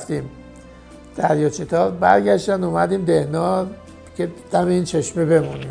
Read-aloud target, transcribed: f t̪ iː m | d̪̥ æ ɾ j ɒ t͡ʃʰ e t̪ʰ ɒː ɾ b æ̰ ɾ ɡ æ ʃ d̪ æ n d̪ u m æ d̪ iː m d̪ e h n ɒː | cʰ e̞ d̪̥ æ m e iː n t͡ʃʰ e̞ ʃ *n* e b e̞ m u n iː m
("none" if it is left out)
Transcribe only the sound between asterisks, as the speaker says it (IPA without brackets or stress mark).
m